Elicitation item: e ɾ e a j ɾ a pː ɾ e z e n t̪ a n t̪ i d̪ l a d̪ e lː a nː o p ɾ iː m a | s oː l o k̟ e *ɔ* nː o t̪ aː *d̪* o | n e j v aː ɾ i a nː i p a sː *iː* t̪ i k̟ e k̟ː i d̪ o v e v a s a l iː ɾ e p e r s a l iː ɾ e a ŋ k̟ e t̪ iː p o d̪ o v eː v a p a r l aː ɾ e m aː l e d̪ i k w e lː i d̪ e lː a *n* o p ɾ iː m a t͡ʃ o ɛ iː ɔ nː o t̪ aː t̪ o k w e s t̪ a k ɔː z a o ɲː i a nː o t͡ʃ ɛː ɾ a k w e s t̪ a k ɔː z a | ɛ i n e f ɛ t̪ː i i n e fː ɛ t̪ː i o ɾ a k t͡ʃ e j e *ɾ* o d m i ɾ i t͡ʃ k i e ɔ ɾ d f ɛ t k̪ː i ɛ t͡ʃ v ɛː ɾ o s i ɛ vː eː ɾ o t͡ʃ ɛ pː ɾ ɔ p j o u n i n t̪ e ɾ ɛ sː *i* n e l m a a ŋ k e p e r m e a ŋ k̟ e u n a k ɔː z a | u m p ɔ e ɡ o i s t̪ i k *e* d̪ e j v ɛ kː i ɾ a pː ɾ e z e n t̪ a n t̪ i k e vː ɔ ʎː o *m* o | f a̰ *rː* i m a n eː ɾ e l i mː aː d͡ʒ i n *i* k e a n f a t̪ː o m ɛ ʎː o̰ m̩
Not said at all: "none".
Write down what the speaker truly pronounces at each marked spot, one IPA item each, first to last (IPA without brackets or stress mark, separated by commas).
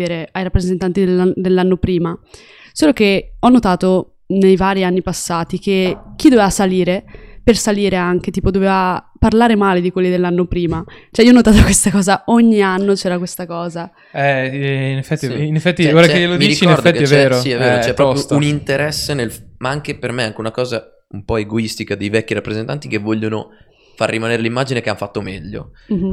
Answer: ɔ, t̪, aː, nː, l, e, a, n, rː, e